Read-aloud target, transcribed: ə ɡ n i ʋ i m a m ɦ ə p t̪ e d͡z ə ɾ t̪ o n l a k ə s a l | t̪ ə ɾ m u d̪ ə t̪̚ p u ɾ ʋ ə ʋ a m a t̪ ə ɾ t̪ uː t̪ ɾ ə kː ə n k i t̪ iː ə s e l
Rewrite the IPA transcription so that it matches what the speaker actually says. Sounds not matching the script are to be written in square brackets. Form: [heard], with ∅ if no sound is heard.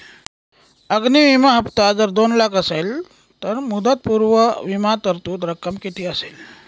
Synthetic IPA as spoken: ə ɡ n i ʋ i m a [∅] ɦ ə p t̪ [a] d͡z ə ɾ [d̪] o n l a k ə s [e] l | t̪ ə ɾ m u d̪ ə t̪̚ p u ɾ ʋ ə ʋ [i] m a t̪ ə ɾ t̪ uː t̪ ɾ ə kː ə [m] k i t̪ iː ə s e l

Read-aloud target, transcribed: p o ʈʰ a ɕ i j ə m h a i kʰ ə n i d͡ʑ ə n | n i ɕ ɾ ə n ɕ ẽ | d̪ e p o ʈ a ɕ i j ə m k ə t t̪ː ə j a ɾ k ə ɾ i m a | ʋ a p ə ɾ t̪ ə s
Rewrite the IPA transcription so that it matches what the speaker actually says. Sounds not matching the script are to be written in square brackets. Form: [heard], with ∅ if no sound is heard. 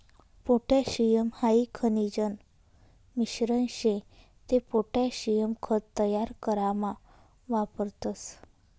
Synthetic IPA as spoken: p o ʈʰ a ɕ i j ə m h a i kʰ ə n i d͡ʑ ə n | [m] i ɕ ɾ ə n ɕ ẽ | [t̪] e p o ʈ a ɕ i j ə m [kʰ] ə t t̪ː ə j a ɾ k ə ɾ [a] m a | ʋ a p ə ɾ t̪ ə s

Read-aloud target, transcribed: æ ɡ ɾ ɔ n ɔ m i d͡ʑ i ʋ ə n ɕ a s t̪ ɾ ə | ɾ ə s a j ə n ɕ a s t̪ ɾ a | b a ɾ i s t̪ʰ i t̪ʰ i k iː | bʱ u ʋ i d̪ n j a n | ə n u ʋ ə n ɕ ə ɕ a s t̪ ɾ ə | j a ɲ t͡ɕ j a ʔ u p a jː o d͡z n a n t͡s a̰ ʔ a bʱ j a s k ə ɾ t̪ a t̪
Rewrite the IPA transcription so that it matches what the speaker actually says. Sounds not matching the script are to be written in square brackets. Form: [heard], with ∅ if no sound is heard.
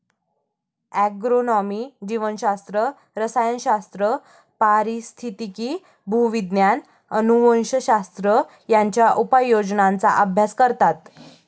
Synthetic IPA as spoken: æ ɡ ɾ [o] n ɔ m i d͡ʑ i ʋ ə n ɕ a s t̪ ɾ ə | ɾ ə s a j ə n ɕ a s t̪ ɾ [ə] | [p] a ɾ i s t̪ʰ i [t̪] i k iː | bʱ u ʋ i d̪ n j a n | ə n u ʋ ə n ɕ ə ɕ a s t̪ ɾ ə | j a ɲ t͡ɕ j a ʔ u p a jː o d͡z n a n t͡s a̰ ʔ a bʱ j a s k ə ɾ t̪ a t̪

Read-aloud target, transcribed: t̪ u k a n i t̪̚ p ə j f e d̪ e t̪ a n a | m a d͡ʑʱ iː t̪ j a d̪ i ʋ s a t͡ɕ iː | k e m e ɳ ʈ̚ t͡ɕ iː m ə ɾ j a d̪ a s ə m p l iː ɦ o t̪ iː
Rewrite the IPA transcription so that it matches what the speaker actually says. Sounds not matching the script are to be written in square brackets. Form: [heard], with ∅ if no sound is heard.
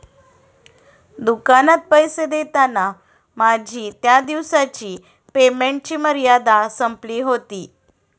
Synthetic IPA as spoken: [d̪] u k a n [a] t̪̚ p ə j [s] e d̪ e t̪ a n a | m a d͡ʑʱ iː t̪ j a d̪ i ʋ s a t͡ɕ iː | [p] e m e ɳ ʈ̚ t͡ɕ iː m ə ɾ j a d̪ a s ə m p l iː ɦ o t̪ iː

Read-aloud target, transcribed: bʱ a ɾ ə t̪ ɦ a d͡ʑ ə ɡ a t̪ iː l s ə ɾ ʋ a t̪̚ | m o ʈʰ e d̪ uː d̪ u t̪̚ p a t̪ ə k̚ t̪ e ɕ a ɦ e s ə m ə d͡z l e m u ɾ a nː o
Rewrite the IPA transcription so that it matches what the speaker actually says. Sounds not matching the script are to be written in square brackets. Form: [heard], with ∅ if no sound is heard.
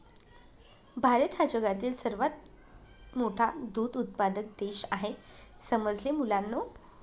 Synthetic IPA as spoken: bʱ a ɾ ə t̪ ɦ a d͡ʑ ə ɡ a t̪ iː l s ə ɾ ʋ a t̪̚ | m o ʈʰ [a] d̪ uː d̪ u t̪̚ p a [d̪] ə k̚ [d̪] e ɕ a ɦ e s ə m ə d͡z l e m u [l] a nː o

